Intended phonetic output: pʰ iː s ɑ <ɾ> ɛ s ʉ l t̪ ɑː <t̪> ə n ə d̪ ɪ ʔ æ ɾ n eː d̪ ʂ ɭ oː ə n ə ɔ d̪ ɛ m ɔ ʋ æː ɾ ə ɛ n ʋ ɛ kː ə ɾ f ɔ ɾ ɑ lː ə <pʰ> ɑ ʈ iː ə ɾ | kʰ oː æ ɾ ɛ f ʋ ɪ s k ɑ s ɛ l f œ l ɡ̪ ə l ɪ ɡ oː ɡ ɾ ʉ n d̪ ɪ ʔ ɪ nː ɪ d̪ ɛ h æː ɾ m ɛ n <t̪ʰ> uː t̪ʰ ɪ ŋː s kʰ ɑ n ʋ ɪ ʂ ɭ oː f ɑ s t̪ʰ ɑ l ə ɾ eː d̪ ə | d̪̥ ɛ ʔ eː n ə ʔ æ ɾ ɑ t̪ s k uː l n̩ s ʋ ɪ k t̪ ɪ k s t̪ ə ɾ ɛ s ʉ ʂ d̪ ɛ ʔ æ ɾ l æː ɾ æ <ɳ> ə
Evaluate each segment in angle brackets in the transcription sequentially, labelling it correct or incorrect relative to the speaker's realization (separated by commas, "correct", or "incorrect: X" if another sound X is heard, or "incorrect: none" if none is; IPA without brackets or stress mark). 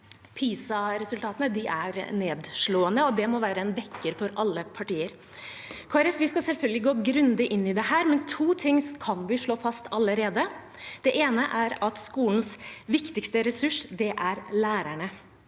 correct, correct, correct, correct, correct